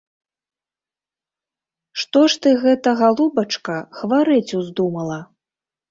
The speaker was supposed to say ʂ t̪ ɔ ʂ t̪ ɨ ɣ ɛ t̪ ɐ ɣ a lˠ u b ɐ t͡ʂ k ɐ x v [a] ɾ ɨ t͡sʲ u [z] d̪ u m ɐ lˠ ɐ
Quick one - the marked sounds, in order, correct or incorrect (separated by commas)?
correct, correct